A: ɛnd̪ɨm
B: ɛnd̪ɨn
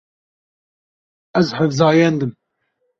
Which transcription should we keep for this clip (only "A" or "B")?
A